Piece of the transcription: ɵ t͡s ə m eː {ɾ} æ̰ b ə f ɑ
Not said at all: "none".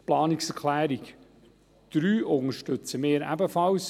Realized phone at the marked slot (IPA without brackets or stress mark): ɾ